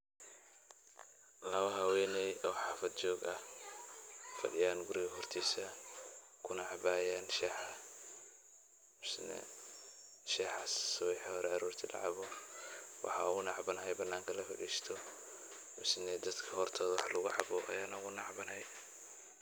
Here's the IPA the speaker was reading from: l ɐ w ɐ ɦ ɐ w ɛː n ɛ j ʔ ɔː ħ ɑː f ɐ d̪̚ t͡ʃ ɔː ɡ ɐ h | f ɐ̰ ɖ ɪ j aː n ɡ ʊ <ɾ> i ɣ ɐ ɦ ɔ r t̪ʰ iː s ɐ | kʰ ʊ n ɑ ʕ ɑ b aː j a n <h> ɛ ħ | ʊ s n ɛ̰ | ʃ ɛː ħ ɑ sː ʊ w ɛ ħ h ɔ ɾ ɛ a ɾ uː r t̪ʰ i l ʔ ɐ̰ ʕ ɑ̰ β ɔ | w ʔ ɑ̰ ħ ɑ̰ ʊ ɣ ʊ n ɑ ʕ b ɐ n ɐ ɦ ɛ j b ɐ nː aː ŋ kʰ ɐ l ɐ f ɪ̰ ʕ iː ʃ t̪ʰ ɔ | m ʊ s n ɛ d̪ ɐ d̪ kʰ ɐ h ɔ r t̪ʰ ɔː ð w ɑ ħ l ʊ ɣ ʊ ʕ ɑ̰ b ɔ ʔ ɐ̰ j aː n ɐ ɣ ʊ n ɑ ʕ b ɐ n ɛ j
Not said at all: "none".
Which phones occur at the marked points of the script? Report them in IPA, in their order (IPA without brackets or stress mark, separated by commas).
ɾ, ʃ